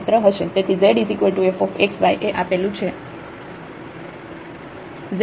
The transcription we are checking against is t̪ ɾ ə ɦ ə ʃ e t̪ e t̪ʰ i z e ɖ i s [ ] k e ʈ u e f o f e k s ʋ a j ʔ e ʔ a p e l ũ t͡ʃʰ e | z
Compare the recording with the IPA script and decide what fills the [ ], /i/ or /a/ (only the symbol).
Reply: i